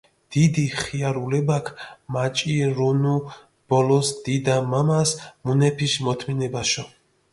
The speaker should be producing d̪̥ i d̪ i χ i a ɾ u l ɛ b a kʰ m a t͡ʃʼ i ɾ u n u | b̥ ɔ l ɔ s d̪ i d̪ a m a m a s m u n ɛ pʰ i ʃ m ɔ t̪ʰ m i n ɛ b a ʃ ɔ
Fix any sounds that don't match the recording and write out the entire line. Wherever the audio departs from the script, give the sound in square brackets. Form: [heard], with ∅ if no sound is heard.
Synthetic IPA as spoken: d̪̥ i d̪ i χ i a ɾ u l ɛ b a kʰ m a t͡ʃʼ i ɾ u n u | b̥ ɔ l ɔ s d̪ i d̪ a m a m a s m u n ɛ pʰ i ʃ m ɔ t̪ʰ m i n ɛ b a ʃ ɔ